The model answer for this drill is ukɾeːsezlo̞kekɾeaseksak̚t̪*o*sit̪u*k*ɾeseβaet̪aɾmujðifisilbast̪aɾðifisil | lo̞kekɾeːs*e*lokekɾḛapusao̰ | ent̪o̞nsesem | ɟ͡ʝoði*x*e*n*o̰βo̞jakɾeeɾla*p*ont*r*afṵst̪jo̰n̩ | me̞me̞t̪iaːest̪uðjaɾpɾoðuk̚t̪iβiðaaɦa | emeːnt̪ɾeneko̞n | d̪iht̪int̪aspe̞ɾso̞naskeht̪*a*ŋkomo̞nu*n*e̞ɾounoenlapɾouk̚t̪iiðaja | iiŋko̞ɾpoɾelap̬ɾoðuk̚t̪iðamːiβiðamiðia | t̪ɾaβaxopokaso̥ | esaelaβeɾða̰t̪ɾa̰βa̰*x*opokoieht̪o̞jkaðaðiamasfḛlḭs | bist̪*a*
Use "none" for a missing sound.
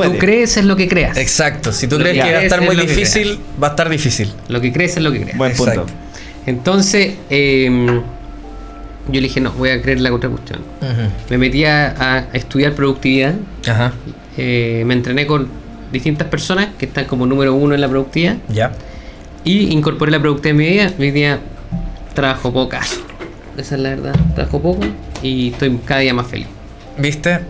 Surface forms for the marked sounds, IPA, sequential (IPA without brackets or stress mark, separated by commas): o, k, e, x, n, k, ɾ, a, m, x, e